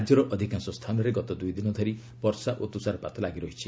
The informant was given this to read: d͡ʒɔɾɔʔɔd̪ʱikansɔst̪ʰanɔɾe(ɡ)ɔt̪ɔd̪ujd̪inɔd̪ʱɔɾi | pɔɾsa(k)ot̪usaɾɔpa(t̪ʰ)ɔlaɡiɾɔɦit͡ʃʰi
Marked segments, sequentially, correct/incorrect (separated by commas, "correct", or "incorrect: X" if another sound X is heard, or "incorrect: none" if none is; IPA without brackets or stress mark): correct, incorrect: ʔ, incorrect: t̪